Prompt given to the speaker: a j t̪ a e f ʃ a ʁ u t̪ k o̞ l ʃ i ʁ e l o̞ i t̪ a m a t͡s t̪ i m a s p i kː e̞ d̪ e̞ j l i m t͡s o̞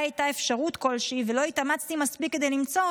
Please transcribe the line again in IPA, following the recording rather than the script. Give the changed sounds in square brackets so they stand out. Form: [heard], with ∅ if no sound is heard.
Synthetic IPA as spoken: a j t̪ a e f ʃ a ʁ u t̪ k o̞ l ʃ i [v] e l o̞ i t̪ a m a t͡s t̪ i m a s p i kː e̞ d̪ e̞ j l i m t͡s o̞

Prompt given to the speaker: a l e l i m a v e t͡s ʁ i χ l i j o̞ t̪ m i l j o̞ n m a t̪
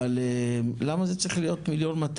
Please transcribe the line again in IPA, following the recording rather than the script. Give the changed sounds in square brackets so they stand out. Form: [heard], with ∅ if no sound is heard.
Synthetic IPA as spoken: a l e l [a] m a [z] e t͡s ʁ i χ l i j o̞ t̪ m i l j o̞ n m a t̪

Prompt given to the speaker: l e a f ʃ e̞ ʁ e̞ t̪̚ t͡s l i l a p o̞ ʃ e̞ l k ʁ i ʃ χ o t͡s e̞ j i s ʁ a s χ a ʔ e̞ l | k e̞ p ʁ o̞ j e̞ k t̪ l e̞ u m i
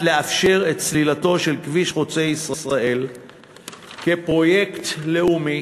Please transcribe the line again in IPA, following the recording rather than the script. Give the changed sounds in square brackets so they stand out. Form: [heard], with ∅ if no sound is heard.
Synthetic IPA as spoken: l e a f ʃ e̞ ʁ e̞ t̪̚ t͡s l i l a [t] o̞ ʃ e̞ l k [v] i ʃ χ o t͡s e̞ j i s ʁ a s [ʁ] a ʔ e̞ l | k e̞ p ʁ o̞ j e̞ k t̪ l e̞ u m i

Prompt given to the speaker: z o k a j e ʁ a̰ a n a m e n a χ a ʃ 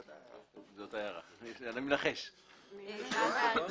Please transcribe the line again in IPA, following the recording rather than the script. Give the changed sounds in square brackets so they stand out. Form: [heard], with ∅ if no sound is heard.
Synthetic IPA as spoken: z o [t] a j [a] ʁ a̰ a n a m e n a χ [e] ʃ

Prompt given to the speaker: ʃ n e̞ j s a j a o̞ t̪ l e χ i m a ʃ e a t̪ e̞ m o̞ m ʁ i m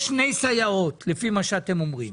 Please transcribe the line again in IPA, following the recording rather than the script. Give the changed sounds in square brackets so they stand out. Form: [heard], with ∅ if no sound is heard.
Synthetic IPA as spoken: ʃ n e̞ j s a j a o̞ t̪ l e [f] i m a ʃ e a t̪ e̞ m o̞ m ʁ i m

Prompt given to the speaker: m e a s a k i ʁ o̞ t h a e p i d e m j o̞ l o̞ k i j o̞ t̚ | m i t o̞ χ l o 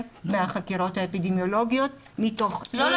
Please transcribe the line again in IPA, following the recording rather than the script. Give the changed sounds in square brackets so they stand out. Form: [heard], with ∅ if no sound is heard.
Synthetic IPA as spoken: m e a [χ] a k i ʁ o̞ t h a e p i d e m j o̞ l o̞ [ɡ] i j o̞ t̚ | m i t o̞ χ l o

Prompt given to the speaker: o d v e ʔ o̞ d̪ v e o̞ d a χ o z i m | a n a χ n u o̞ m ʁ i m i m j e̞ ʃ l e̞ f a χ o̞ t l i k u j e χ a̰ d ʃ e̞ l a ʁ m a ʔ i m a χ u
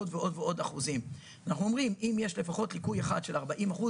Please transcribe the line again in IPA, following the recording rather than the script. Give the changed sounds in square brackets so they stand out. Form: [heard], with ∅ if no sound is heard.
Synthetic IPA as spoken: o d v e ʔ o̞ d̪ v e o̞ d a χ [u] z i m | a n a χ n u o̞ m ʁ i m i m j e̞ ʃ l e̞ f a χ o̞ t l i k u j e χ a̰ d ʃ e̞ l a ʁ [b] a ʔ i m a χ u

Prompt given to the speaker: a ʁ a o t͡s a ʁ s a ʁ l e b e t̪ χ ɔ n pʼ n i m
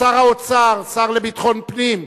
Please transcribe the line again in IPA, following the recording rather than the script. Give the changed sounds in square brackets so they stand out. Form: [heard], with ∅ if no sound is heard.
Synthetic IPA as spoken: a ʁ a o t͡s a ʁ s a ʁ l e b [i] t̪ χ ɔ n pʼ n i m

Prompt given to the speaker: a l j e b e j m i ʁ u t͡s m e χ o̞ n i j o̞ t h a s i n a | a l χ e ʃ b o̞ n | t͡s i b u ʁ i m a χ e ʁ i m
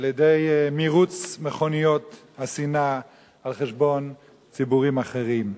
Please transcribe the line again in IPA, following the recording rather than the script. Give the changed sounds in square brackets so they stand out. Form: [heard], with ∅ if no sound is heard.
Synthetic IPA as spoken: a l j e [d] e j m i ʁ u t͡s m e χ o̞ n i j o̞ t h a s i n a | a l χ e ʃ b o̞ n | t͡s i b u ʁ i m a χ e ʁ i m

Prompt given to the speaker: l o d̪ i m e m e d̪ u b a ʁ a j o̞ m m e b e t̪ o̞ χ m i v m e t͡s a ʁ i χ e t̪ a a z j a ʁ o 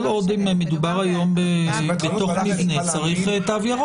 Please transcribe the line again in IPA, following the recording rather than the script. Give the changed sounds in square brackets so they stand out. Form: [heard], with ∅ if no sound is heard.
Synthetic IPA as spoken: l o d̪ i m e m e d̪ u b a ʁ a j o̞ m [b] e b e t̪ o̞ χ m i v [n] e t͡s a ʁ i χ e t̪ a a [v] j a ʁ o

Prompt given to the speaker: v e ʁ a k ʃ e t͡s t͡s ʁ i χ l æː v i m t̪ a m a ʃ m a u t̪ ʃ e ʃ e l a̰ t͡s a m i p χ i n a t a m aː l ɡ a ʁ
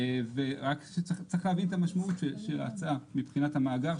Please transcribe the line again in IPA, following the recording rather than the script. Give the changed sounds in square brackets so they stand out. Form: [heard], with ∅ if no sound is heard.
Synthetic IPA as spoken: v e ʁ a k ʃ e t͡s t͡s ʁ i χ l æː v i [n] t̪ a m a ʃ m a u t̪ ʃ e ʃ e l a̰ t͡s a m i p χ i n a t a m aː [∅] ɡ a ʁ

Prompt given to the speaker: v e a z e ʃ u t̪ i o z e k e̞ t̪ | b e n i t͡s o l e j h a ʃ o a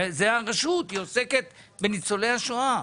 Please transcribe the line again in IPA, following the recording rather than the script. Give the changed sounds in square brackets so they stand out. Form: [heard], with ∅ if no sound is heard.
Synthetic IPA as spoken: [z] e a [ʁ] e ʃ u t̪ i o [s] e k e̞ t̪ | b e n i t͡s o l e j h a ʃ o a

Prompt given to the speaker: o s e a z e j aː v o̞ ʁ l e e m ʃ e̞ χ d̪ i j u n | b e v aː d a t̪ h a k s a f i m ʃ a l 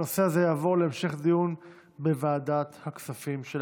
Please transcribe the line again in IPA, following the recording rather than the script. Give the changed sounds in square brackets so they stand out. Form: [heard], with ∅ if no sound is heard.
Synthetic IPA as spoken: o s e a z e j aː v o̞ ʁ l e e m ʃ e̞ χ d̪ i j u n | b e v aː d a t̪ h a k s a f i m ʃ [e] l

